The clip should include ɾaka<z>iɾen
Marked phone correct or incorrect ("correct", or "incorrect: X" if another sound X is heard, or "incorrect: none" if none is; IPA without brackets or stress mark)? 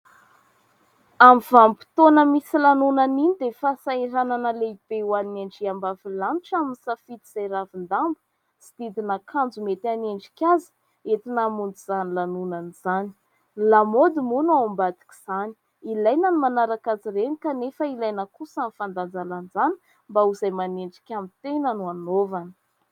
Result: correct